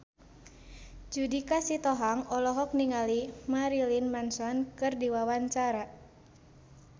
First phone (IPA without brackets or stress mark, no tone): d͡ʒ